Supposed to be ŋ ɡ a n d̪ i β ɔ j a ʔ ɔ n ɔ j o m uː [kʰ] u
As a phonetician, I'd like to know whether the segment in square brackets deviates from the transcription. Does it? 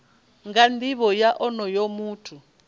yes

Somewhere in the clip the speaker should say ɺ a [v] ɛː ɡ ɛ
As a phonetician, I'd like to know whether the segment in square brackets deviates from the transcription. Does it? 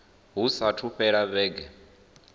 yes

